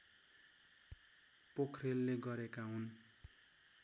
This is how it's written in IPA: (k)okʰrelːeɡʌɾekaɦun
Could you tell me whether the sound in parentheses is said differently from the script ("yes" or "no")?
yes